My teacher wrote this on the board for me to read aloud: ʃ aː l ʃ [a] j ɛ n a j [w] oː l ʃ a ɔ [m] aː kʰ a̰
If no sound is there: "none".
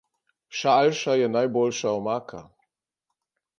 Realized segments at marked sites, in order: a, b, m

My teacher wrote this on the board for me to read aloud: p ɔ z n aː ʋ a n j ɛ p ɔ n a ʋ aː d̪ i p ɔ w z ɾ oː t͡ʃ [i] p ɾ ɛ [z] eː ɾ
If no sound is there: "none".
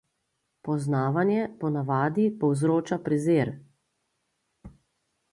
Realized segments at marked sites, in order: a, z

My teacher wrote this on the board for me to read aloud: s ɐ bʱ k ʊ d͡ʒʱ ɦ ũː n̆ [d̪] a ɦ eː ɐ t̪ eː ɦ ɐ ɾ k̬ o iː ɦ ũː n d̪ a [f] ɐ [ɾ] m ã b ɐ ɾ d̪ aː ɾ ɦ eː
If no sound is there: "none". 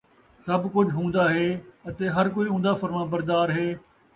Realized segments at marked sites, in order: d̪, f, ɾ

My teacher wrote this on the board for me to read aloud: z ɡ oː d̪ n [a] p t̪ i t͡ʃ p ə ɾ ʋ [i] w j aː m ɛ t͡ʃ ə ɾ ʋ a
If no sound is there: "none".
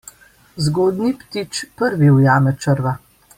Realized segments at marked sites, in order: i, i

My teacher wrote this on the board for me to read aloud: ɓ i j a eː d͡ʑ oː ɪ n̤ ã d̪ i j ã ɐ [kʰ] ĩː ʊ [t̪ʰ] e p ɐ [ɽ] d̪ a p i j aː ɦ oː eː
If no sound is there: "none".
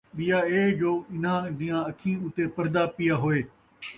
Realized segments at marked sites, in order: kʰ, t̪, ɾ

